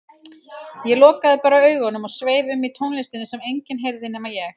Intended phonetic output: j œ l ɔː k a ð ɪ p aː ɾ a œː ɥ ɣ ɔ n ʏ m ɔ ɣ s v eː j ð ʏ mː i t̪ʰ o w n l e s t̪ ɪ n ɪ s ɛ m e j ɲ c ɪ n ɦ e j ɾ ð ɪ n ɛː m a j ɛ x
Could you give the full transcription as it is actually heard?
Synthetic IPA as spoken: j ɛ l ɔː k a ð ɪ p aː ɾ a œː ɥ ɣ ɔ n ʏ m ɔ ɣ s v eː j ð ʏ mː i t̪ʰ o w n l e s t̪ ɪ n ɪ s ɛ m e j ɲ c ɪ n ɦ e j ɾ ð ɪ n ɛː m a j ɛ x